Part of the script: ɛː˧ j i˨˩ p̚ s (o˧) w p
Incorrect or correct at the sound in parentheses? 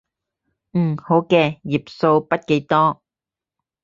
correct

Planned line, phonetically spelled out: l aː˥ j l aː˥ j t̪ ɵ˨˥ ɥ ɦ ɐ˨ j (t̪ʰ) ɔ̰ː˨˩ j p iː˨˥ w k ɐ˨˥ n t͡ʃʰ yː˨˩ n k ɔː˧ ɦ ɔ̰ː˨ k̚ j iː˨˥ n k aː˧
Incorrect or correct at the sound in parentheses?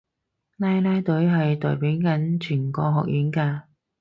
incorrect: t̪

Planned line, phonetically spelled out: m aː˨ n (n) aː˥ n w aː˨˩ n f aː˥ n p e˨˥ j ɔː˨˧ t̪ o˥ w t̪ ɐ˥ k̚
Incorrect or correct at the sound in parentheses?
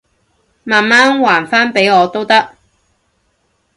incorrect: m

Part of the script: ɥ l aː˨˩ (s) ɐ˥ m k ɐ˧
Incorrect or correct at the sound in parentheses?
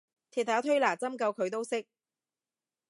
incorrect: t͡s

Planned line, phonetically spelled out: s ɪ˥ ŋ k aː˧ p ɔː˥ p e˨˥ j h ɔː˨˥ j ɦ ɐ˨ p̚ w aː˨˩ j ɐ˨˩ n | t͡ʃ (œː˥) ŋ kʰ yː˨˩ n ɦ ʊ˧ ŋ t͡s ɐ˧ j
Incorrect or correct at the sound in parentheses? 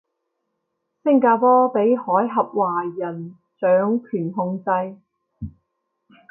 incorrect: œː˨˥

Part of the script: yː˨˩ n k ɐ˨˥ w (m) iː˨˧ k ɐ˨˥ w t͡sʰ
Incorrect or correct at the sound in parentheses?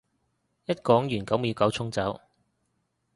correct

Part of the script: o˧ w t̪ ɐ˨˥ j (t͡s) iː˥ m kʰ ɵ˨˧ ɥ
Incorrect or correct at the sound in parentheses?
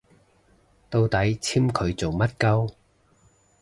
incorrect: t͡sʰ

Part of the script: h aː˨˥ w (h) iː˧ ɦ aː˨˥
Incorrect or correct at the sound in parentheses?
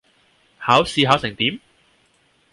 incorrect: s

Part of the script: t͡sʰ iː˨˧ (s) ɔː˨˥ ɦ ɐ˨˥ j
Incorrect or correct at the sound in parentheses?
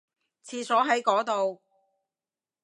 correct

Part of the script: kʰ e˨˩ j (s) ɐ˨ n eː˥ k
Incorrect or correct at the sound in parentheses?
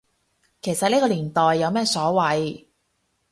correct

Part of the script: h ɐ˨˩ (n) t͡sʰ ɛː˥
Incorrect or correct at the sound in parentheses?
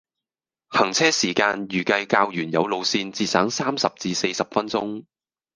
incorrect: ŋ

